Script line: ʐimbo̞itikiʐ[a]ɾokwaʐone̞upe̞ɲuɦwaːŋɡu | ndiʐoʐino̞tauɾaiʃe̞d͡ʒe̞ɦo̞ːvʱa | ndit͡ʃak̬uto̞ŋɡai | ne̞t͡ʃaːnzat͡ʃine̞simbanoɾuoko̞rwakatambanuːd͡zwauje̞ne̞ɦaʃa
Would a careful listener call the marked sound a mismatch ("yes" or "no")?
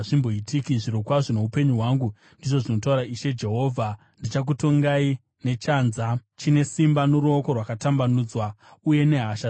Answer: yes